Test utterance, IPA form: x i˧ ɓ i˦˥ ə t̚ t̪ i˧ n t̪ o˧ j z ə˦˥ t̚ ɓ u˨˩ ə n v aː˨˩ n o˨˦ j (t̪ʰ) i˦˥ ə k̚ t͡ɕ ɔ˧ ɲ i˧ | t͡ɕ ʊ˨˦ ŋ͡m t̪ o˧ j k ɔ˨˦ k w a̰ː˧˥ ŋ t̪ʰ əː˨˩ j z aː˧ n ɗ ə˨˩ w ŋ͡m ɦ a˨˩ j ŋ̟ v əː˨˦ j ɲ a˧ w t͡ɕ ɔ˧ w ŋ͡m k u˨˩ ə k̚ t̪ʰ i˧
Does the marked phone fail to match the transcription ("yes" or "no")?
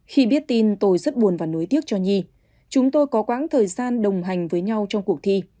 yes